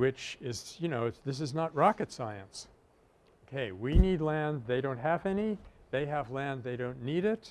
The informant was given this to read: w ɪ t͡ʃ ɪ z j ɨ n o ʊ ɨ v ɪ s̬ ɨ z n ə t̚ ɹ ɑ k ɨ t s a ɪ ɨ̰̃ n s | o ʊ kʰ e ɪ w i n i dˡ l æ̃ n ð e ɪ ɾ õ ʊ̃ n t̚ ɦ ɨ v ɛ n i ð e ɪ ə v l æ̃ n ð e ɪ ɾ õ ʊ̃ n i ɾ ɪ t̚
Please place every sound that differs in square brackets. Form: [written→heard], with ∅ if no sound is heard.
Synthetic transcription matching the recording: w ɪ t͡ʃ ɪ z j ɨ n o ʊ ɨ [v→ð] ɪ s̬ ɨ z n ə t̚ ɹ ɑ k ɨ t s a ɪ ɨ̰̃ n s | o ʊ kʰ e ɪ w i n i dˡ l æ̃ n ð e ɪ ɾ õ ʊ̃ n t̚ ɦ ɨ v ɛ n i ð e ɪ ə v l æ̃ n ð e ɪ ɾ õ ʊ̃ [n→nː] i ɾ ɪ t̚

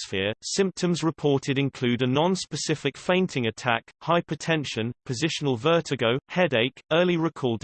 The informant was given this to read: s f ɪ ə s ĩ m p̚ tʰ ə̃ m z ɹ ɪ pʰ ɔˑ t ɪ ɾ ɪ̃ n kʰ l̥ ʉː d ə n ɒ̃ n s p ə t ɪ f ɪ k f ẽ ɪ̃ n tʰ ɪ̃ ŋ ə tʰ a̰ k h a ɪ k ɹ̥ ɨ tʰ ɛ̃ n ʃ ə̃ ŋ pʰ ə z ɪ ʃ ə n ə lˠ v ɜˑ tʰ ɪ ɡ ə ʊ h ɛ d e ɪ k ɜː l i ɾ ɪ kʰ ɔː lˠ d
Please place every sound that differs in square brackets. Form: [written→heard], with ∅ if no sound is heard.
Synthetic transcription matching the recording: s f ɪ ə s [ĩ→ɪ̃] m p̚ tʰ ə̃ m z ɹ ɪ pʰ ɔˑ t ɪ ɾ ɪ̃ n kʰ l̥ ʉː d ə n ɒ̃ n s p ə [t→s] ɪ f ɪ k f ẽ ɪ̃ n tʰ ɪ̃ ŋ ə tʰ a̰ k h a ɪ [k→p] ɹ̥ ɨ tʰ ɛ̃ n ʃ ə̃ [ŋ→n] pʰ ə z ɪ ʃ ə n ə lˠ v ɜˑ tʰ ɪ ɡ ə ʊ h ɛ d e ɪ k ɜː l i [ɾ→ɹ] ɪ kʰ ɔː lˠ d

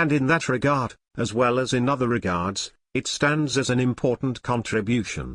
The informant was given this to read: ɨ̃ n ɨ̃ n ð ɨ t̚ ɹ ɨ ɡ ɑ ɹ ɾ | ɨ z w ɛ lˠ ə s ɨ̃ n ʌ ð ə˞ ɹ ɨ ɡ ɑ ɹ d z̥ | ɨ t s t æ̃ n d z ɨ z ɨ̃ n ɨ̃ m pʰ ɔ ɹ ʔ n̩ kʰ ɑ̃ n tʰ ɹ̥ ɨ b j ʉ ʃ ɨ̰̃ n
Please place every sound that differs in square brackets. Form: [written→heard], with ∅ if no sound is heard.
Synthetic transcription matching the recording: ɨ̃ n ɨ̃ n ð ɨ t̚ ɹ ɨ ɡ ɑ ɹ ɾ | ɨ z w ɛ lˠ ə [s→z] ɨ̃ n ʌ ð ə˞ ɹ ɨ ɡ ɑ ɹ d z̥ | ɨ t s t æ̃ n d z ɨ z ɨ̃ n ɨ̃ m pʰ ɔ ɹ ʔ n̩ kʰ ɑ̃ n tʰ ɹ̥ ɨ b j ʉ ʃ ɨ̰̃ n

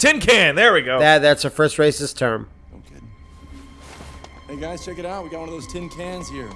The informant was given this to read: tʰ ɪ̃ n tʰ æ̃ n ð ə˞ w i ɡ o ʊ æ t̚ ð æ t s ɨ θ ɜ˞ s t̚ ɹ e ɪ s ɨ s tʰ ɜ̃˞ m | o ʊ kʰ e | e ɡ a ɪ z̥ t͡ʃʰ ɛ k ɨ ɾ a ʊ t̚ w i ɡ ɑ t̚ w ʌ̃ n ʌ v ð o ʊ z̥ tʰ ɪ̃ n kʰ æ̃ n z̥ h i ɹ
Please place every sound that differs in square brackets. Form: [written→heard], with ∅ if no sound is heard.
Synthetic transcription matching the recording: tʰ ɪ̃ n [tʰ→kʰ] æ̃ n ð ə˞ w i ɡ o ʊ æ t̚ ð æ t s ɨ [θ→f] ɜ˞ s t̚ ɹ e ɪ s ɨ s tʰ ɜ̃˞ m | o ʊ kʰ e | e ɡ a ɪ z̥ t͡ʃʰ ɛ k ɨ ɾ a ʊ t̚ w i ɡ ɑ t̚ w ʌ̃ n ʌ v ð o ʊ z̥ tʰ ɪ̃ n kʰ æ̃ n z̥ h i ɹ

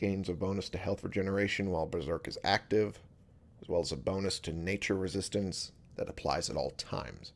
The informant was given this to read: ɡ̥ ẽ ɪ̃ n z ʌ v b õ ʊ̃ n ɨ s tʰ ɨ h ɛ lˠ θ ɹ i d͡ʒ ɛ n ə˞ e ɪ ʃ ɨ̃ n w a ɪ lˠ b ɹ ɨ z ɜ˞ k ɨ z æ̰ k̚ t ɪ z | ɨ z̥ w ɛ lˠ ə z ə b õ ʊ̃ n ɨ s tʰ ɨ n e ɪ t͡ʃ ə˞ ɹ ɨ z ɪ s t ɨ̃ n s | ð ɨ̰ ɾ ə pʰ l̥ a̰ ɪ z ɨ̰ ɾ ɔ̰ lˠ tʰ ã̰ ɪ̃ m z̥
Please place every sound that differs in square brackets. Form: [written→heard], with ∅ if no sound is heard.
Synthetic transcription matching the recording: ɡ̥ ẽ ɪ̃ n z ʌ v b õ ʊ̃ n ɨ s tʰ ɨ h ɛ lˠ θ ɹ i d͡ʒ ɛ n ə˞ e ɪ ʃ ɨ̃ n w a ɪ lˠ b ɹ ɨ z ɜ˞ k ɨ z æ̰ k̚ t ɪ [z→v] | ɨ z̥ w ɛ lˠ ə z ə b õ ʊ̃ n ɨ s tʰ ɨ n e ɪ t͡ʃ ə˞ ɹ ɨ z ɪ s t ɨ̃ n s | ð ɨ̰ ɾ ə pʰ l̥ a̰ ɪ z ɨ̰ ɾ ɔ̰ lˠ tʰ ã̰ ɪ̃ m z̥

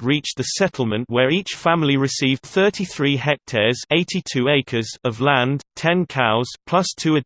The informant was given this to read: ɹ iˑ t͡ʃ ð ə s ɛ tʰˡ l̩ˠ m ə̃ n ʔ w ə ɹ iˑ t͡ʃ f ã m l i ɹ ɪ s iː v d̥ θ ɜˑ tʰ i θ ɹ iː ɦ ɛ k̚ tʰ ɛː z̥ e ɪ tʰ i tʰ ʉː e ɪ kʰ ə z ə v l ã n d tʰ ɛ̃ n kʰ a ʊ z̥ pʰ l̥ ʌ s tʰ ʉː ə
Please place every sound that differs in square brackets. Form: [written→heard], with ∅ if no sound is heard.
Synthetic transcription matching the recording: ɹ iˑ t͡ʃ ð ə s ɛ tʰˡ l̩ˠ m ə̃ n ʔ w ə ɹ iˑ t͡ʃ f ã m l i ɹ ɪ s iː v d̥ θ ɜˑ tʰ i θ ɹ iː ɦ ɛ k̚ tʰ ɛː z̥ e ɪ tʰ i tʰ ʉː e ɪ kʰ ə z ə v l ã n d tʰ ɛ̃ n kʰ a ʊ z̥ pʰ l̥ ʌ s tʰ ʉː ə

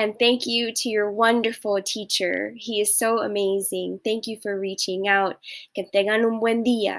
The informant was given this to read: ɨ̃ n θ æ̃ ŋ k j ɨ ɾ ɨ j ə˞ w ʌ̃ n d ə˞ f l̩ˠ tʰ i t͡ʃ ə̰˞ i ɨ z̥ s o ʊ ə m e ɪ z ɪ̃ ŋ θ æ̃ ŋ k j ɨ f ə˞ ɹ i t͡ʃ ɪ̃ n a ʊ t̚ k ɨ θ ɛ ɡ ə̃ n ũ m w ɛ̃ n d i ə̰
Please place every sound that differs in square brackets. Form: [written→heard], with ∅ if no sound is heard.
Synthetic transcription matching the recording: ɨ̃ n θ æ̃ ŋ k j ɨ ɾ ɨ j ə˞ w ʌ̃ n d ə˞ f l̩ˠ tʰ i t͡ʃ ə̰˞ i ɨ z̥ s o ʊ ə m e ɪ z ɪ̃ ŋ θ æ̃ ŋ k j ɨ f ə˞ ɹ i t͡ʃ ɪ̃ [n→ŋ] a ʊ t̚ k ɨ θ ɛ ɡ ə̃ n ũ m w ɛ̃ n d i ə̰

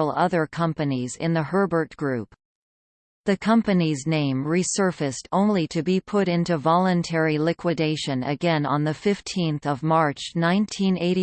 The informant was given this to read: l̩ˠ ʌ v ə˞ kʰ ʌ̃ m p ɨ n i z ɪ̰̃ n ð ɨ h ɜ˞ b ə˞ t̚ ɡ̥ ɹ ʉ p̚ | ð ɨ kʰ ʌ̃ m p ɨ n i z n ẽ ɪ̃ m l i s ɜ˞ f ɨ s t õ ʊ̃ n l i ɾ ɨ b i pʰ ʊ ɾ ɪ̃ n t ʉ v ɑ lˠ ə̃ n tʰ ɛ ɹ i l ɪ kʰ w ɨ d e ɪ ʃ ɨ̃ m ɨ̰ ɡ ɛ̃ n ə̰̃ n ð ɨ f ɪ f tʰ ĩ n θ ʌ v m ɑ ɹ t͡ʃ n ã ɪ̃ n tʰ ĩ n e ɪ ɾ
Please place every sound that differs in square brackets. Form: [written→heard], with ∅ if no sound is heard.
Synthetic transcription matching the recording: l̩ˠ ʌ [v→ð] ə˞ kʰ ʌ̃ m p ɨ n i z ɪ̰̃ n ð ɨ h ɜ˞ b ə˞ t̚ ɡ̥ ɹ ʉ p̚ | ð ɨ kʰ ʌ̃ m p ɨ n i z n ẽ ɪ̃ m [l→ɹ] i s ɜ˞ f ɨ s t õ ʊ̃ n l i ɾ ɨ b i pʰ ʊ ɾ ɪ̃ n t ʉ v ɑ lˠ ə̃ n tʰ ɛ ɹ i l ɪ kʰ w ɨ d e ɪ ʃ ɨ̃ [m→n] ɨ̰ ɡ ɛ̃ n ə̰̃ n ð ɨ f ɪ f tʰ ĩ n θ ʌ v m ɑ ɹ t͡ʃ n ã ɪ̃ n tʰ ĩ n e ɪ ɾ

